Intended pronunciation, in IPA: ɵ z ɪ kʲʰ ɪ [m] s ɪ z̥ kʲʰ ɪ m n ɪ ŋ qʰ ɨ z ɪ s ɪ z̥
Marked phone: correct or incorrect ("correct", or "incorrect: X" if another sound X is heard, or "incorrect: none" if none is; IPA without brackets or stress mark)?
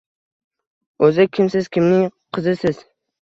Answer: correct